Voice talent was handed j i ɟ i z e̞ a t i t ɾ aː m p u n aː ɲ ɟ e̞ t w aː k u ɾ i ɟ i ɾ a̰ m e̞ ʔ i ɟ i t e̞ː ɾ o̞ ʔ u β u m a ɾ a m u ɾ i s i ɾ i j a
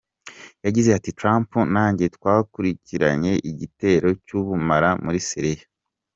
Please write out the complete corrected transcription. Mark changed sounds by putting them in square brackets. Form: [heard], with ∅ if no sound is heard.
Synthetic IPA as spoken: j [a] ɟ i z e̞ a t i t ɾ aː m p u n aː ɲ ɟ e̞ t w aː k u ɾ i [c] i ɾ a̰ [ɲ] e̞ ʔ i ɟ i t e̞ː ɾ o̞ [c] u β u m a ɾ a m u ɾ i s i ɾ i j a

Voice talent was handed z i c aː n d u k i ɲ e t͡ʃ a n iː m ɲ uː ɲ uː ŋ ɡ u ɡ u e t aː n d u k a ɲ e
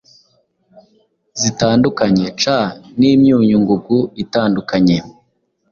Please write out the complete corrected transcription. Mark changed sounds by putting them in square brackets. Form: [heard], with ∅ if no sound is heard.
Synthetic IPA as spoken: z i [t] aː n d u k [a] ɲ e t͡ʃ a n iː m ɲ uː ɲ [u] ŋ ɡ u ɡ u [i] t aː n d u k a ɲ e

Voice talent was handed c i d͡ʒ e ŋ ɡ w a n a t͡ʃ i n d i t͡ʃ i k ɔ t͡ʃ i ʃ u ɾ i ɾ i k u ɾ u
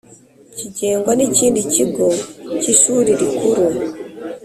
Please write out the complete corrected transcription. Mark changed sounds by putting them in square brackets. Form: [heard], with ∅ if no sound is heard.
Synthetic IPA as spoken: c i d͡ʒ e ŋ ɡ w a n [i] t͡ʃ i n d i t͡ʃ i [ɡ] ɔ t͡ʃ i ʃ u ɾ i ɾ i k u ɾ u

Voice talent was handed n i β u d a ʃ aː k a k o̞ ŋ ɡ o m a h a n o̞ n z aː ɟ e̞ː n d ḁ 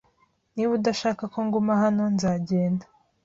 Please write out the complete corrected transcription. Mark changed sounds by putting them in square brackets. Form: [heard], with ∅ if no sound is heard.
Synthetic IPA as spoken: n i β u d a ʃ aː k a k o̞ ŋ ɡ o m a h a n o̞ n z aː ɟ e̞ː n d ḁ

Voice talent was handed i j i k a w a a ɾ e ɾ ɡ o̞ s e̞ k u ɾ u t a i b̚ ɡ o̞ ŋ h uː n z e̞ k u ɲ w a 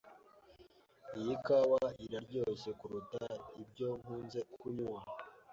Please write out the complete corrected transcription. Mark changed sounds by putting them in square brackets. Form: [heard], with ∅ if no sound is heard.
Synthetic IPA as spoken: i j i k a w a [i] ɾ [a] ɾ [ɟ] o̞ s e̞ k u ɾ u t a i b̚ [ɟ] o̞ ŋ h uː n z e̞ k u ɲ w a

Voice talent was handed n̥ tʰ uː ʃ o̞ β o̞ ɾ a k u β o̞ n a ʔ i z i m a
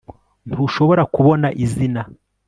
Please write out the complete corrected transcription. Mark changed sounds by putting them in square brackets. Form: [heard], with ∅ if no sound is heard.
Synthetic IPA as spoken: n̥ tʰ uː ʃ o̞ β o̞ ɾ a k u β o̞ n a ʔ i z i [n] a

